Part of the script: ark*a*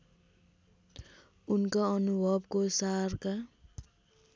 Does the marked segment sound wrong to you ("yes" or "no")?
no